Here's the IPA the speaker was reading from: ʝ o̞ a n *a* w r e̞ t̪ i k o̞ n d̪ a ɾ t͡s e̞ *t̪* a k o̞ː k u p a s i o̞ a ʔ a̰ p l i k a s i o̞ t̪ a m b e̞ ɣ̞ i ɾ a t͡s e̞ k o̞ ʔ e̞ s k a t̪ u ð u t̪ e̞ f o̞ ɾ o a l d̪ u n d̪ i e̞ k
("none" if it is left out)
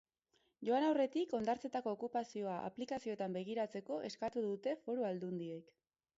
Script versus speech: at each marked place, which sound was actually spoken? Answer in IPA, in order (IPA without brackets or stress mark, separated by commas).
a, t̪